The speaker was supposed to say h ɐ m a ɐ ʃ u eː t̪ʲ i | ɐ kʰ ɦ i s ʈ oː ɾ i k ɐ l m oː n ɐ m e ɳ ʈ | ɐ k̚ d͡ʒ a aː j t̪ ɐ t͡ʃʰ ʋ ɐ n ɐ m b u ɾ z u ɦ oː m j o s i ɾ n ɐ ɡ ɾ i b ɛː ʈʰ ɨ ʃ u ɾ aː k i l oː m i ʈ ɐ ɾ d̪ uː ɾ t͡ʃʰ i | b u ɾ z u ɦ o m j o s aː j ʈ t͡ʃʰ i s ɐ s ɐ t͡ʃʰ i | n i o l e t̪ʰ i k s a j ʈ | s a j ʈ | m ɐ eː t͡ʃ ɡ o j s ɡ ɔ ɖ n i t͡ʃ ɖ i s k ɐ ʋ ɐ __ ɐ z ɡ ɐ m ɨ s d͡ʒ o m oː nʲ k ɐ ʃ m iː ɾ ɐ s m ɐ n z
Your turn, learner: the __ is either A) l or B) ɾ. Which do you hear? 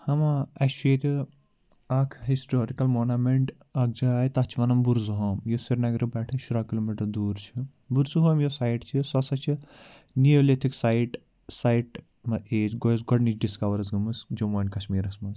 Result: B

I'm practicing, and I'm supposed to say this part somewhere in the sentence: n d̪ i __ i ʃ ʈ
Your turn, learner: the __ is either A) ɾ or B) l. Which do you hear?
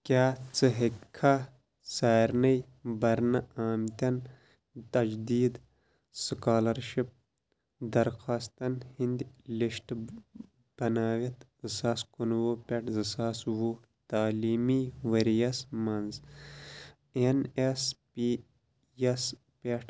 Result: B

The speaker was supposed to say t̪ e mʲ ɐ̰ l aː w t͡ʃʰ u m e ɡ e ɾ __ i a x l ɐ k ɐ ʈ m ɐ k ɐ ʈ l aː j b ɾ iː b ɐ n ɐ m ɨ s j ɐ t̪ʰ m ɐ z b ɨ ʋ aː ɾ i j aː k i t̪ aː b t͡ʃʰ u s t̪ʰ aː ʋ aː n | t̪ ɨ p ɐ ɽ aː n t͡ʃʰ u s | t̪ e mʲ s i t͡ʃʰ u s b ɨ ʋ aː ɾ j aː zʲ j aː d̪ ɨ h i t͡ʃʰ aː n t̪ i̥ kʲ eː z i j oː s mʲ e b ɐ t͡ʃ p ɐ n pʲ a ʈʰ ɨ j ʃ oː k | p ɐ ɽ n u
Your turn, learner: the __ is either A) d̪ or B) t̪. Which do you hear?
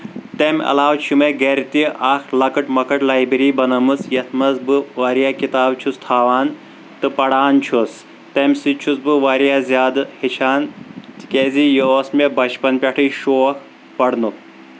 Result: B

